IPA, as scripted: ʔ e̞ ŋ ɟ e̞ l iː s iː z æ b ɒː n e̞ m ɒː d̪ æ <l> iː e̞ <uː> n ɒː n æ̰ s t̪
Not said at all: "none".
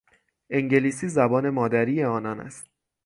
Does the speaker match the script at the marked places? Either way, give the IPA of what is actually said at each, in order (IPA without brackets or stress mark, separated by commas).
ɾ, ɒː